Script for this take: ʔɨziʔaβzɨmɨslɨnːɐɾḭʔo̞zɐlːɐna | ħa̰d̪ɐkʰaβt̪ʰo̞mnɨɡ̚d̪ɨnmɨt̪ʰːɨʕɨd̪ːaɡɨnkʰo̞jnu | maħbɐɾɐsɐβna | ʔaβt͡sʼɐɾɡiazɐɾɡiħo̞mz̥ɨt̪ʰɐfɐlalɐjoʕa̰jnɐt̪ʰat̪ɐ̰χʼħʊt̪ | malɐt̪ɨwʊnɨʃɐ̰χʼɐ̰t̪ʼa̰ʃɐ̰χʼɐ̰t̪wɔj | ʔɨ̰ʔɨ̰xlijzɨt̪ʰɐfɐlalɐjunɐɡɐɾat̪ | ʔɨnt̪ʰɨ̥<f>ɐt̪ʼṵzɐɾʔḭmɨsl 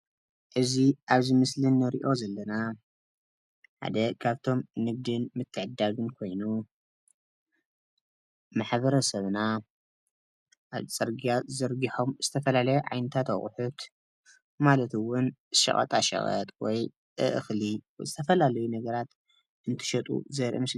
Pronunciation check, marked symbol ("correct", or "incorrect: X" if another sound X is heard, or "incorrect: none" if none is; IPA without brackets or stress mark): incorrect: ʃ